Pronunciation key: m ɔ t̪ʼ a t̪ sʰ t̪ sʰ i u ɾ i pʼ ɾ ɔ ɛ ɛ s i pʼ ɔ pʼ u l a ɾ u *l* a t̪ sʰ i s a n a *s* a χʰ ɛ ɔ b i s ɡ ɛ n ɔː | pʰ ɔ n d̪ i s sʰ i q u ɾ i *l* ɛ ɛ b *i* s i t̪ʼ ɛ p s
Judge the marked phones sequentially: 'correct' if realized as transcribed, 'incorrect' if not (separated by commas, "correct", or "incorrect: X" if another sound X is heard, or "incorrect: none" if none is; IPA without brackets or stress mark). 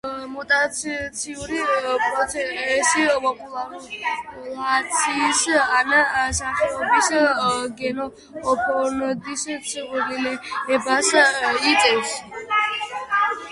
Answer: correct, correct, correct, incorrect: a